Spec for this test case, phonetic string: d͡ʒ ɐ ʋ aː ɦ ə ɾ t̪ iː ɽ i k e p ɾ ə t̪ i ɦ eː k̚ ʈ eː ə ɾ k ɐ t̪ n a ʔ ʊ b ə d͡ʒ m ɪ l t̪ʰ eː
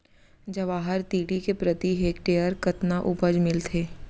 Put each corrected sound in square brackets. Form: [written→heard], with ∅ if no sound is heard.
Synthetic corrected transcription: d͡ʒ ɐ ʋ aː ɦ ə ɾ t̪ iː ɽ i k e p ɾ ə t̪ i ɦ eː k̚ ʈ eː ə ɾ k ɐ t̪ n a ʔ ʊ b ə d͡ʒ m ɪ l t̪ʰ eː